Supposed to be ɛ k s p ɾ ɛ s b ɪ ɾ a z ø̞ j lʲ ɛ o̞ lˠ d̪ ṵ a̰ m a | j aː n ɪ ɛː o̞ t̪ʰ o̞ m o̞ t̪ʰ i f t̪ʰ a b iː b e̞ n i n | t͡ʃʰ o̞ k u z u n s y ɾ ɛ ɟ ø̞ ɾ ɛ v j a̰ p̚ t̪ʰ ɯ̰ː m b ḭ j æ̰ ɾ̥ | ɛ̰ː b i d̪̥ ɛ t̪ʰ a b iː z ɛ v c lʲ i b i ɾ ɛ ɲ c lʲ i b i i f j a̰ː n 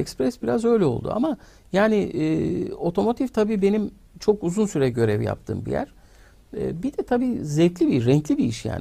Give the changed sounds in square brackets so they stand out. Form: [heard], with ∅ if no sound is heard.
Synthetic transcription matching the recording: ɛ k s p ɾ ɛ s b [i] ɾ a z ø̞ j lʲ ɛ o̞ lˠ d̪ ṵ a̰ m a | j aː n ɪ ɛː o̞ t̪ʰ o̞ m o̞ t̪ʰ i f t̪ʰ a b iː b e̞ n i [m] | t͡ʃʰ o̞ k u z u n s y ɾ ɛ ɟ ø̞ ɾ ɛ v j a̰ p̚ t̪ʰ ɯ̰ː m b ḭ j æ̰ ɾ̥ | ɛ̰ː b i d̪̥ ɛ t̪ʰ a b iː z ɛ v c lʲ i b i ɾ ɛ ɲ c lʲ i b i i [ʃ] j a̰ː n